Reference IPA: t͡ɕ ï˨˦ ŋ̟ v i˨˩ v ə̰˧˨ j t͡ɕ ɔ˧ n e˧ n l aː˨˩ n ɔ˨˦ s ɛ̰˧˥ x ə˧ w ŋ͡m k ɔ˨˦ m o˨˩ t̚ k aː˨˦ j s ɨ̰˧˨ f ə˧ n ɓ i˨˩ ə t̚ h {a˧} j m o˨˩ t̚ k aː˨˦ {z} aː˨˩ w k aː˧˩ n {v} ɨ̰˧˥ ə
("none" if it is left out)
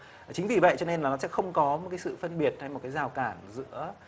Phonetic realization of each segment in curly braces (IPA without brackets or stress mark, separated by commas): a˧, z, z